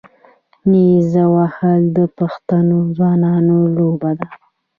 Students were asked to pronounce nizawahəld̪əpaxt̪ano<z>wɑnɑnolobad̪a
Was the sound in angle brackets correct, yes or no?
yes